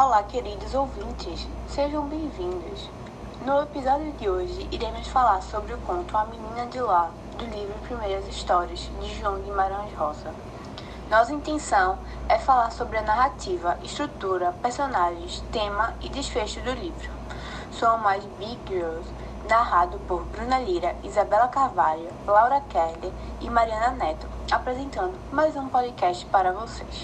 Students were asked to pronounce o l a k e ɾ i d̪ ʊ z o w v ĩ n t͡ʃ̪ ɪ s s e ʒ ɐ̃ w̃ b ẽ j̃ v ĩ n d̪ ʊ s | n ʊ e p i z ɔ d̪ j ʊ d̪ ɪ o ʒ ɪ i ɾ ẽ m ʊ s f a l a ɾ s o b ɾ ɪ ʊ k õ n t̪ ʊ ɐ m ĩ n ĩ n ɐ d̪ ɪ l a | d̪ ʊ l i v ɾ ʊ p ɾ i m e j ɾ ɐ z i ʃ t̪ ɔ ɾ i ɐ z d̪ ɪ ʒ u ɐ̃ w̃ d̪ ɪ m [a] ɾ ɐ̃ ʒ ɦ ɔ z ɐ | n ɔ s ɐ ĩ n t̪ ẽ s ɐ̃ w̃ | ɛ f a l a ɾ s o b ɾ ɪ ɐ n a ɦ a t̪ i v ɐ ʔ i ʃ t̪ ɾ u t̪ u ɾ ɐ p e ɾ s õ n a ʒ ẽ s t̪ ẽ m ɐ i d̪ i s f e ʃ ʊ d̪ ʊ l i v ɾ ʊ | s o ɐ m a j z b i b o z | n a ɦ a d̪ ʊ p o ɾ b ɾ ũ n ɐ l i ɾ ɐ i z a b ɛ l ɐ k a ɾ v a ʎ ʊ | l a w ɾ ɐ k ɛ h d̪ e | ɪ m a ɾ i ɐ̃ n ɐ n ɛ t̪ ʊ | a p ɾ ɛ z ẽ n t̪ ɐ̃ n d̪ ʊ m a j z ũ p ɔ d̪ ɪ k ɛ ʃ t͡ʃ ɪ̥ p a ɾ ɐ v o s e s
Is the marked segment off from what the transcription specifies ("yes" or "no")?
no